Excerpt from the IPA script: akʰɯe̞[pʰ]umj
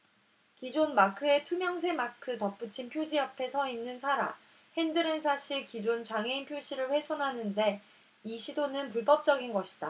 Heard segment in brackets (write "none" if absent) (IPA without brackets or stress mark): tʰ